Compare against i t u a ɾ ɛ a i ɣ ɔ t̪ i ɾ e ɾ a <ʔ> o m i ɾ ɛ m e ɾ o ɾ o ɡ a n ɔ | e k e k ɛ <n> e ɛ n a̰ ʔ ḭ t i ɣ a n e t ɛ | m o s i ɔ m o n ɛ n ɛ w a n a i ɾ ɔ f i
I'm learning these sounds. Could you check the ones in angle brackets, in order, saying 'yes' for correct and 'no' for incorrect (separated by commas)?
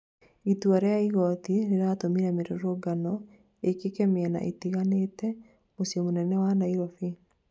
no, no